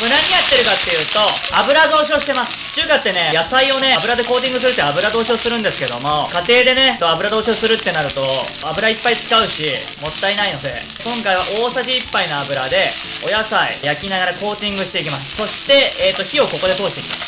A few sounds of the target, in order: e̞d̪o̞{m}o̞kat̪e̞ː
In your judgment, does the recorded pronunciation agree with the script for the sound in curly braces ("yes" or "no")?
yes